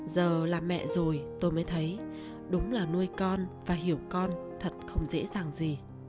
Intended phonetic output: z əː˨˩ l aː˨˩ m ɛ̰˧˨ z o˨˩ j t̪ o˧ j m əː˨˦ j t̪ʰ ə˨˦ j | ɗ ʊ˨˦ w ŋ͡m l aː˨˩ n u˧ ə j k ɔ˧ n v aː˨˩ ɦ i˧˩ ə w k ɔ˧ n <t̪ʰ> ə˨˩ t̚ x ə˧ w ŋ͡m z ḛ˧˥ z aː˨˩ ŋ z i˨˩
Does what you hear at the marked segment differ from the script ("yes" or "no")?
no